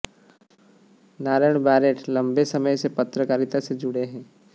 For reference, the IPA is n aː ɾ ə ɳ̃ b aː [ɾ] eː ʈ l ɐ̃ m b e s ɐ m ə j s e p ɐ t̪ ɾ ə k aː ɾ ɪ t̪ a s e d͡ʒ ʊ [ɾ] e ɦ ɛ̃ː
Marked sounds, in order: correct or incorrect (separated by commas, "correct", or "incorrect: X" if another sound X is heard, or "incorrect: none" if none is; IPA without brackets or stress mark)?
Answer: correct, incorrect: ɽ